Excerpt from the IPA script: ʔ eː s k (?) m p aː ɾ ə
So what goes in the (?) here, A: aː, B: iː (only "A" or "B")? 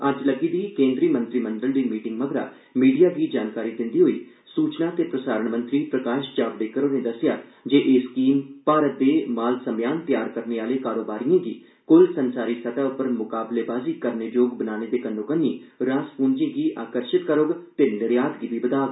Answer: B